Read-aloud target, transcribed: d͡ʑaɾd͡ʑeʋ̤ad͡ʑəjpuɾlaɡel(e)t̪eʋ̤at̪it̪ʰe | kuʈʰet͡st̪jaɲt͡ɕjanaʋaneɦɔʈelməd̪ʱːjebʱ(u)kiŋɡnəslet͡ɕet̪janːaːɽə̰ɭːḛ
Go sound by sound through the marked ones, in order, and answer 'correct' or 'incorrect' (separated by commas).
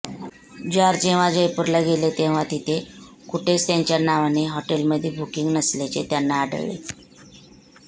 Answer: correct, correct